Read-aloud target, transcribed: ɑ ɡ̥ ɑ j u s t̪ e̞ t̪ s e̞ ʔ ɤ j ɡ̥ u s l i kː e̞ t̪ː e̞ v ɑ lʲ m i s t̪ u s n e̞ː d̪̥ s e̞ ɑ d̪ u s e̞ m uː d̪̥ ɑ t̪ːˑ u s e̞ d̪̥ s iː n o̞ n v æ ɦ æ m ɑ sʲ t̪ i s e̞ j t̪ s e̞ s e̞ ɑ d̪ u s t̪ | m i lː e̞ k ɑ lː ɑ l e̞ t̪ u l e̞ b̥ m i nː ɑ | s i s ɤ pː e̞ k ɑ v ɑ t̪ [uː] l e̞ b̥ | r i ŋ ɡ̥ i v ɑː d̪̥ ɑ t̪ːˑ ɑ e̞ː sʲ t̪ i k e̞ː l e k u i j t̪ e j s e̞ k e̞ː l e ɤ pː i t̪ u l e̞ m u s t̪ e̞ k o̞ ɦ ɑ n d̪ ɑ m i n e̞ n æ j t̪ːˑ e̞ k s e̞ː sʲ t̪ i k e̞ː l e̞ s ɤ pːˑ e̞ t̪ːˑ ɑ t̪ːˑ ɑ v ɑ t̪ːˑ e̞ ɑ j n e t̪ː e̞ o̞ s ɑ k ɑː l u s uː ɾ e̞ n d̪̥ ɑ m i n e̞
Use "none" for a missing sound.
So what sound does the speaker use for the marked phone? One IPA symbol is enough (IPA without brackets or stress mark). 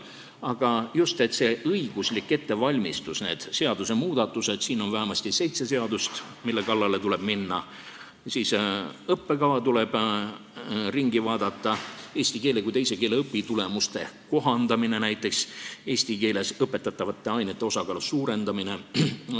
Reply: u